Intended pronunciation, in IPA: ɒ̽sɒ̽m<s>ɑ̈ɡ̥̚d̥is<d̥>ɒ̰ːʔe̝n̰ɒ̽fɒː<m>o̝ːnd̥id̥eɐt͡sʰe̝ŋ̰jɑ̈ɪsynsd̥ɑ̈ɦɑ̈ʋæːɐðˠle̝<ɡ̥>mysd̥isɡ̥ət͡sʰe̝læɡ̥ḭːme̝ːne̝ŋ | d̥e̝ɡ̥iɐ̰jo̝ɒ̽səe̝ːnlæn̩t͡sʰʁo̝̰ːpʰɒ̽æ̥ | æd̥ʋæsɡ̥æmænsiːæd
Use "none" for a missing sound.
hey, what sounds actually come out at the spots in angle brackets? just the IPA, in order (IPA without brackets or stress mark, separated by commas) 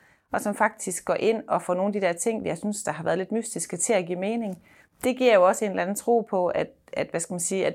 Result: f, ɡ̥, n, d̥